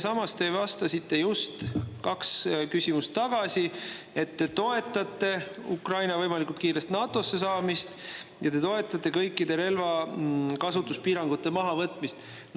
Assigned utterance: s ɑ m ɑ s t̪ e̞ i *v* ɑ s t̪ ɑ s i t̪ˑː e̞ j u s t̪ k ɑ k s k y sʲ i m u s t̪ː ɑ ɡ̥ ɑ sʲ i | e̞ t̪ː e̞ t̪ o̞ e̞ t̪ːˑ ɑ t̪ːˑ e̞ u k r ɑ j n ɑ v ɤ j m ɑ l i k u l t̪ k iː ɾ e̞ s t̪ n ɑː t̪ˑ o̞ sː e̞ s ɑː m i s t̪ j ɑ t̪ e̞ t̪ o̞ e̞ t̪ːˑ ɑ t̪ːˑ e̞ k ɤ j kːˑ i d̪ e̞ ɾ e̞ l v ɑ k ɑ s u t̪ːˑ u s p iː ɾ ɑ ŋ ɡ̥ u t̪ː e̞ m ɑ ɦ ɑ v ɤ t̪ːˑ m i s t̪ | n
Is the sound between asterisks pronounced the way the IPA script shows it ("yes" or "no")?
yes